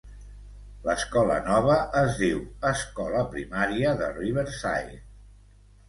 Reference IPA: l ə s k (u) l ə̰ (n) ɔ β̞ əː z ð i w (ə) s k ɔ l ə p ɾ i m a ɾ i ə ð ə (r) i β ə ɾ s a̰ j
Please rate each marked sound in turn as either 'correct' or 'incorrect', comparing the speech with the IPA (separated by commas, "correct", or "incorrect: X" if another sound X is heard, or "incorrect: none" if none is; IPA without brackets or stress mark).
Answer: incorrect: ɔ, correct, correct, correct